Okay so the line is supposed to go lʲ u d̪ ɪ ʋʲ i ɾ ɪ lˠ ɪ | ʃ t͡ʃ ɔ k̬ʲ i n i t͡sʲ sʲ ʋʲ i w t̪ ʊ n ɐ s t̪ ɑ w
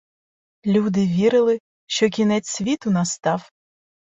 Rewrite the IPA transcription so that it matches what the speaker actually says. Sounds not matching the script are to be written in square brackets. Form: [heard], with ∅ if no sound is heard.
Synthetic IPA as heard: lʲ u d̪ ɪ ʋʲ i ɾ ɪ lˠ ɪ | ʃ t͡ʃ ɔ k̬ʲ i n [ɛ] t͡sʲ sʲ ʋʲ i [∅] t̪ ʊ n ɐ s t̪ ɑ w